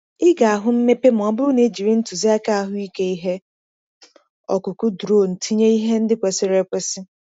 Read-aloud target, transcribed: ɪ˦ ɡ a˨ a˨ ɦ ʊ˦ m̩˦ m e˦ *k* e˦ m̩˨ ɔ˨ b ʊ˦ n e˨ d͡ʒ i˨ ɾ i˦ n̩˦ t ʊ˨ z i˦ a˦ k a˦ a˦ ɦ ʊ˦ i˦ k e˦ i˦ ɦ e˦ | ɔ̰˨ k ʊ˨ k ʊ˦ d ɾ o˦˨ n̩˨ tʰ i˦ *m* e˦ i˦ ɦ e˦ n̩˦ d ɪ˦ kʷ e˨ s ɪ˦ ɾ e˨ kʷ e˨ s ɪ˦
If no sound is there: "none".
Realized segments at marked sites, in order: p, ɲ

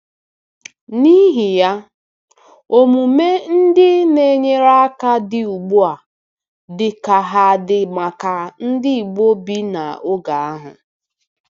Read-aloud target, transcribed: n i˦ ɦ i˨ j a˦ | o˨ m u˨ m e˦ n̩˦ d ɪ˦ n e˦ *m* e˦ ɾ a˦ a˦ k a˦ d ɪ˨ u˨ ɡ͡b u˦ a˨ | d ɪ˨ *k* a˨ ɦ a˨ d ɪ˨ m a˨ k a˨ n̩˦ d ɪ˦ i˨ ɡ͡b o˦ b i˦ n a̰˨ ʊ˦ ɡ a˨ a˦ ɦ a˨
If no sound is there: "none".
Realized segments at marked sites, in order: ɲ, k

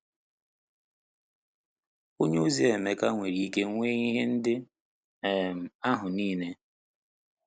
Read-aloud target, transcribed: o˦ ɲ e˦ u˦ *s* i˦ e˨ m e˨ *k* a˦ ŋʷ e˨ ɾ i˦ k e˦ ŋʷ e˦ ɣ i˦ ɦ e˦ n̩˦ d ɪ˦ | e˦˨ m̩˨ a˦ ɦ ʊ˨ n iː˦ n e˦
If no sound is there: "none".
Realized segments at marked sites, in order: z, k

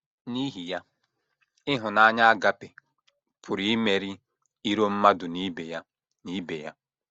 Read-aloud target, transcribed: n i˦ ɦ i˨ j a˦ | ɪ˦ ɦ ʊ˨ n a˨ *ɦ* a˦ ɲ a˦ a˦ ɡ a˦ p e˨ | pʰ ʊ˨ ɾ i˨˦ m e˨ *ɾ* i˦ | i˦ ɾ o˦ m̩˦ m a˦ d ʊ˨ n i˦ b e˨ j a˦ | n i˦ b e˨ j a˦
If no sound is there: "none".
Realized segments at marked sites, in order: none, ɾ

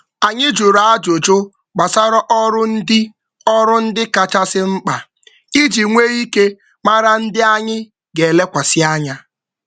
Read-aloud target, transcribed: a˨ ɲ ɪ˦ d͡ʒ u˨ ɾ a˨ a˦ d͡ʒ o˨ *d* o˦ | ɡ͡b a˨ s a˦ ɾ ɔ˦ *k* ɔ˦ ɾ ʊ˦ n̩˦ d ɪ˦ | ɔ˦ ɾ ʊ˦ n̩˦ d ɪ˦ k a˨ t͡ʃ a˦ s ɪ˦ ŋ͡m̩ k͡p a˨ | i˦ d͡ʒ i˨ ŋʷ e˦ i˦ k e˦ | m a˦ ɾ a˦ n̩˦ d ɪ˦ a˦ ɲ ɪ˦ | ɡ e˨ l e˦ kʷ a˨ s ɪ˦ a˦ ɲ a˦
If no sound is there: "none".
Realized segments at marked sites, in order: d͡ʒ, ʔ

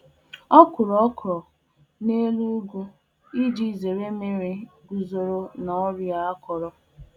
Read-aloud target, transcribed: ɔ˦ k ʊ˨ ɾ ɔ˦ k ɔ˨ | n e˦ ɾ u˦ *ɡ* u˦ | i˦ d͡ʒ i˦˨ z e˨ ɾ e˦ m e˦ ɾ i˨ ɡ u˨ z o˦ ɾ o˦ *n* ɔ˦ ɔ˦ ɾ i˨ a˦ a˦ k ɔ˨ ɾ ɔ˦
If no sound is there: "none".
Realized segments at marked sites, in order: ɡ, n

